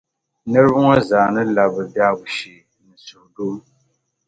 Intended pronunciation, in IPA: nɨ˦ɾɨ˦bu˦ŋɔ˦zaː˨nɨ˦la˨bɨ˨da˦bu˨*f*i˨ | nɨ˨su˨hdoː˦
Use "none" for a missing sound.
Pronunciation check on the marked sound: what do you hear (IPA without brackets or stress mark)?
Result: ʃ